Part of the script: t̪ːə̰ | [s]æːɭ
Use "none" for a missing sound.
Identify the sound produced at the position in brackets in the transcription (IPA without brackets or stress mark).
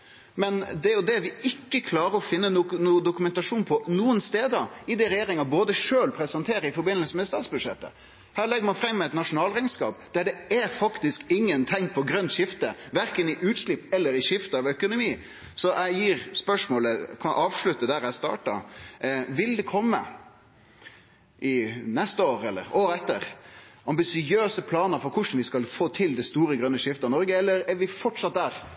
h